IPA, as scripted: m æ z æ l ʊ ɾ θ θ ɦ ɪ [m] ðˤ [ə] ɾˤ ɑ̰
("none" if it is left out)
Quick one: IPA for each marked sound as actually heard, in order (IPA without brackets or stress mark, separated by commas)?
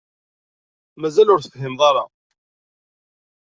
m, ɑ